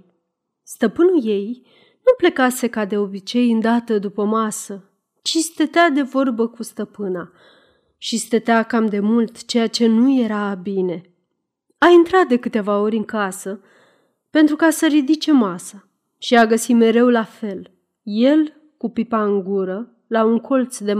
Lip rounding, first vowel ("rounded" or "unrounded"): unrounded